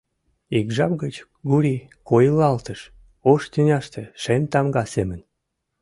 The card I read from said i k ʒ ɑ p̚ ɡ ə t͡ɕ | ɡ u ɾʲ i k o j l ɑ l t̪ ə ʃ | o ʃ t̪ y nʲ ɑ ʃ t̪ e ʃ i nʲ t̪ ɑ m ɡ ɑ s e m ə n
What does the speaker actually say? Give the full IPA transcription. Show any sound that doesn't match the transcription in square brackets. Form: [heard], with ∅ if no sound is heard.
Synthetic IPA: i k ʒ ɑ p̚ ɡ ə t͡ɕ | ɡ u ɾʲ i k o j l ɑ l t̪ ə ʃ | o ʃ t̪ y nʲ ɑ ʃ t̪ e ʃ [e] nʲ t̪ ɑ m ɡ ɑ s e m ə n

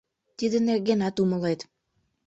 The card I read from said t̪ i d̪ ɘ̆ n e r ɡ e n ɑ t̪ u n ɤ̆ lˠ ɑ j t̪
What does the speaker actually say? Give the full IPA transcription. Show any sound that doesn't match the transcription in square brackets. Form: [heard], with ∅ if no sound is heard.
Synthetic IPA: t̪ i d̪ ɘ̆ n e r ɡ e n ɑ t̪ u [m] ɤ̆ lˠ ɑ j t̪

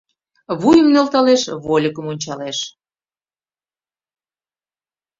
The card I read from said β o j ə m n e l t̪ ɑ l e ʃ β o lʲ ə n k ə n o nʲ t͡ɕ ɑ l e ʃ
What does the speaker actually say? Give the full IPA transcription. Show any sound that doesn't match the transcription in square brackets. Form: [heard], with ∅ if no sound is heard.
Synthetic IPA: β [u] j ə m n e l t̪ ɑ l e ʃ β o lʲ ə [∅] k ə [m] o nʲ t͡ɕ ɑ l e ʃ

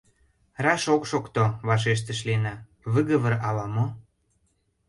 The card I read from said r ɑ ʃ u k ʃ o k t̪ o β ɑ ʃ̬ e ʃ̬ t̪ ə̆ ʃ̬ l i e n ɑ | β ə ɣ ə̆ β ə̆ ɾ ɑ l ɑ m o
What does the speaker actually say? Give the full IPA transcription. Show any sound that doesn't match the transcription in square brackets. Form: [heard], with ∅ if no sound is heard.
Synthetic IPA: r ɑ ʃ [o] k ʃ o k t̪ o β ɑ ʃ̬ e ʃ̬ t̪ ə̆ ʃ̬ l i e n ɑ | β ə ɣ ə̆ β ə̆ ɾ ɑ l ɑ m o

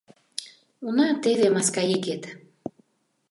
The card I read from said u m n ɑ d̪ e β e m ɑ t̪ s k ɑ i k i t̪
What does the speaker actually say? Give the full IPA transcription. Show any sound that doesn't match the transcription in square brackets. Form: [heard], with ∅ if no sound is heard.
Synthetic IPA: u [∅] n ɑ [t̪] e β e m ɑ [∅] s k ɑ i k [e] t̪

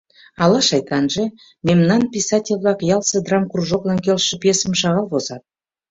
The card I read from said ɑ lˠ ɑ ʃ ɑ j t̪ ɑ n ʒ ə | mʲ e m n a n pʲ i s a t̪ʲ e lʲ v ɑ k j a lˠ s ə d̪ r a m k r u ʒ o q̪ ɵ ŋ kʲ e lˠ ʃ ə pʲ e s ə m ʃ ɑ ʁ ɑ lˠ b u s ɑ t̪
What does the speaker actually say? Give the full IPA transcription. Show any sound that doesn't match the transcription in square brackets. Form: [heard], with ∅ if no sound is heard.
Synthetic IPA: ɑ lˠ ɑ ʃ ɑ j t̪ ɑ n ʒ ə | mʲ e m n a n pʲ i s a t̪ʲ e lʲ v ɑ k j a lˠ s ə d̪ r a m k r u ʒ o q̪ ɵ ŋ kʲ e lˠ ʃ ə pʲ e s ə m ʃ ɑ ʁ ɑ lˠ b [o] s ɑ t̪

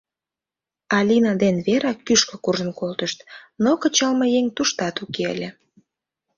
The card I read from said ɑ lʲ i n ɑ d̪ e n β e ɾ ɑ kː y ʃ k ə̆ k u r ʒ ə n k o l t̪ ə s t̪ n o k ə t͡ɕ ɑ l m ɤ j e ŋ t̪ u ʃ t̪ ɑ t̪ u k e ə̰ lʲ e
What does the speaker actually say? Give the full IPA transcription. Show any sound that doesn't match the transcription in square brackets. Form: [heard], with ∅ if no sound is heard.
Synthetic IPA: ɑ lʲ i n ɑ d̪ e n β e ɾ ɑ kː y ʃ k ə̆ k u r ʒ ə n k o l t̪ ə [ʃ] t̪ n o k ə t͡ɕ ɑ l m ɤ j e ŋ t̪ u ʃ t̪ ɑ t̪ u k e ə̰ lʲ e

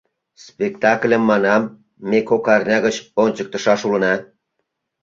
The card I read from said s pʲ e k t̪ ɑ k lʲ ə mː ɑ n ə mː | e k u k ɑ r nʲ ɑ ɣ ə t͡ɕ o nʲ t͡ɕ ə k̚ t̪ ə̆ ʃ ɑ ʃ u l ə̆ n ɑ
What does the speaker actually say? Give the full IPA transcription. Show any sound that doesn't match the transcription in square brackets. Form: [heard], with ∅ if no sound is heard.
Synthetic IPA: s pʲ e k t̪ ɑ k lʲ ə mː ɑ n [ɑ] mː | e k [o] k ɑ r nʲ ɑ ɣ ə t͡ɕ o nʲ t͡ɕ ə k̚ t̪ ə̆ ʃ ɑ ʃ u l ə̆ n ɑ

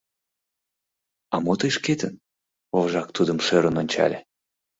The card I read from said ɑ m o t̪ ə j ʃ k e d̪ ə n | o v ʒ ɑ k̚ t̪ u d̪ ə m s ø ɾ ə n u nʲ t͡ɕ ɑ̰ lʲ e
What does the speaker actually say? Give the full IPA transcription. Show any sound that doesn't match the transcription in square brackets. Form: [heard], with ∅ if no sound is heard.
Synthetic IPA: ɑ m o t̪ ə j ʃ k e [t̪] ə n | o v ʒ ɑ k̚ t̪ u d̪ ə m [ʃ] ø ɾ ə n [o] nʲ t͡ɕ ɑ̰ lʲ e

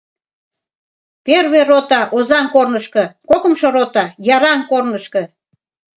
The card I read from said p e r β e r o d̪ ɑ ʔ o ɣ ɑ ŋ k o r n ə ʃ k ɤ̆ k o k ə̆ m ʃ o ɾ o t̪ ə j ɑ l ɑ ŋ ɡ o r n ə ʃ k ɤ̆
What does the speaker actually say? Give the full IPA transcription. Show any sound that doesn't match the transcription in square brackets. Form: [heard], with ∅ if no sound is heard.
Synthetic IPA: p e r β e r o [t̪] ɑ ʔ o [z] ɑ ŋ k o r n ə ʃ k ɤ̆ k o k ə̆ m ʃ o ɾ o t̪ [ɑ] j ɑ [ɾ] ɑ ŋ [k] o r n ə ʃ k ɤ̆

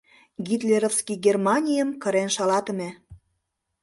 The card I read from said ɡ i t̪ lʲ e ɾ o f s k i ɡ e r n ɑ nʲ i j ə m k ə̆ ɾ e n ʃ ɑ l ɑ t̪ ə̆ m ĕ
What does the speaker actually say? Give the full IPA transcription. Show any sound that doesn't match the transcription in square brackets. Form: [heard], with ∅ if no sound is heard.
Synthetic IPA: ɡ i t̪ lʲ e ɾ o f s k i ɡ e r [m] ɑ nʲ i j ə m k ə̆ ɾ e n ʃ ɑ l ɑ t̪ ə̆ m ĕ

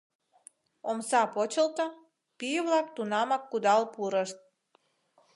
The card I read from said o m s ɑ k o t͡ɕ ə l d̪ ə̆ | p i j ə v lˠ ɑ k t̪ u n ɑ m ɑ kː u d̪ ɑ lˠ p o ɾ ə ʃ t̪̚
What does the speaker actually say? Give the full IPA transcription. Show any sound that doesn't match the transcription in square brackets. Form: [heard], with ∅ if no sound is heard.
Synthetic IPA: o m s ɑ [p] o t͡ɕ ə l [t̪] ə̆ | p i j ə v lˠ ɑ k t̪ u n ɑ m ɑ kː u d̪ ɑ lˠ p [u] ɾ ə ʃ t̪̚

